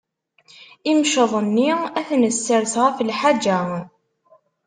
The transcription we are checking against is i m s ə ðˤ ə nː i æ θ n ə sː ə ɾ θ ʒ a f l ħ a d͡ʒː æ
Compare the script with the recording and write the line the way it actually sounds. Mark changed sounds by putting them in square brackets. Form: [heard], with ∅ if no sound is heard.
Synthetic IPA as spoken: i m [ʃ] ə ðˤ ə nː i æ θ n ə sː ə ɾ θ [ʁ] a f l ħ a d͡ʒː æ